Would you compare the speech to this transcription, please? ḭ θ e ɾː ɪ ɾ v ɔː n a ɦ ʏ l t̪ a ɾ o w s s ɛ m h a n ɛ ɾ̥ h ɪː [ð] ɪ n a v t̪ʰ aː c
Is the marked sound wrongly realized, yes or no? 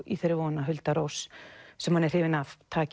yes